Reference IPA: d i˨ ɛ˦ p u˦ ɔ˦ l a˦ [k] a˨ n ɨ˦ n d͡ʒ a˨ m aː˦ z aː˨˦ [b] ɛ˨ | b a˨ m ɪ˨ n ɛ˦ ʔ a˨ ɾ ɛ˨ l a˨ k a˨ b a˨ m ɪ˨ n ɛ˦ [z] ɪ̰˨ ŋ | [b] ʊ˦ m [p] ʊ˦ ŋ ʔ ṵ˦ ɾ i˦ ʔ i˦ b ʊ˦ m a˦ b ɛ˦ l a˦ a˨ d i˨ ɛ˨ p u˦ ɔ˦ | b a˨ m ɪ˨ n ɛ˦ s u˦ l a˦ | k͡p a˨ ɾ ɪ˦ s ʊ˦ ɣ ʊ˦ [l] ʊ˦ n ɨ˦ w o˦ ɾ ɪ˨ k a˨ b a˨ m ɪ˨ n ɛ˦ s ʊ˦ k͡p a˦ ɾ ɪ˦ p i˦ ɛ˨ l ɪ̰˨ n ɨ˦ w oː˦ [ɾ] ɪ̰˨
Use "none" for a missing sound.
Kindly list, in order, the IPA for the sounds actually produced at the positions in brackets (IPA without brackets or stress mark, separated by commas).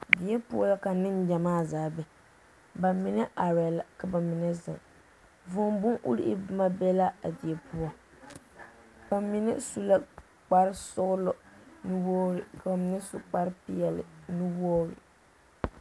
k, b, z, v, b, l, ɾ